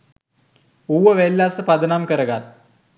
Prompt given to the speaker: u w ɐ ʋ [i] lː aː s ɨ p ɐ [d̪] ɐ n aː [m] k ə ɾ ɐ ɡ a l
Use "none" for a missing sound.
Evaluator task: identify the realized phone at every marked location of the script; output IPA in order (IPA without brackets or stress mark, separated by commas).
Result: e, d̪, m